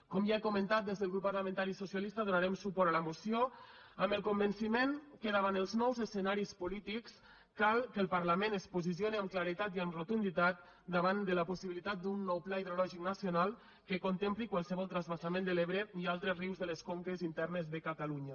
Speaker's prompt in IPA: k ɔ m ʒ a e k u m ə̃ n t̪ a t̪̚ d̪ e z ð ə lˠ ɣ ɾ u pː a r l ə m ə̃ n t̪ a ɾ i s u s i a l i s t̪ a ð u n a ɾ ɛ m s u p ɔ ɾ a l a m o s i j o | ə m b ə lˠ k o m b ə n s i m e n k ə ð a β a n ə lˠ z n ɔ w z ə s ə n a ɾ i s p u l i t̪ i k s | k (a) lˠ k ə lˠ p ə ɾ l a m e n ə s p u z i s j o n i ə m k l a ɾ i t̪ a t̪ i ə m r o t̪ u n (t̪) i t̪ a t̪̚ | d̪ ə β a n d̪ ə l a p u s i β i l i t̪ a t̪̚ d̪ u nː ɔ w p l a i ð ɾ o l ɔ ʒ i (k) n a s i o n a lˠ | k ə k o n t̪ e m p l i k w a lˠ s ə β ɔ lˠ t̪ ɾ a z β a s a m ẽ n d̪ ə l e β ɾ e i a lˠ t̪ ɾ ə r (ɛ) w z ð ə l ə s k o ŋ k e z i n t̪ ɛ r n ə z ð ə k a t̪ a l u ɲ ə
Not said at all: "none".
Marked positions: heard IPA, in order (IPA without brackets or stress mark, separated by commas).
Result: a, d̪, k, i